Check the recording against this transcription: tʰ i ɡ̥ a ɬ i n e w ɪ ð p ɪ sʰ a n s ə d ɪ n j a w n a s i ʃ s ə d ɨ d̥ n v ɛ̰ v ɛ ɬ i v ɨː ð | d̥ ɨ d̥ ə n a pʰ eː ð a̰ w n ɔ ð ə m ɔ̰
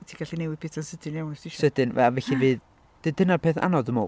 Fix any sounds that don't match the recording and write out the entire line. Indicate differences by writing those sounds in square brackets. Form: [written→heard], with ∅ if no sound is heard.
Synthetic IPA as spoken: tʰ i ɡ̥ a ɬ i n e w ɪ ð p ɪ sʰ a n s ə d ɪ n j a w n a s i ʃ s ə d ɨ [d̥→∅] n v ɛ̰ v ɛ ɬ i v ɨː ð | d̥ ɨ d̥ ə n a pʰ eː [ð→θ] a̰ [w→∅] n ɔ ð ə m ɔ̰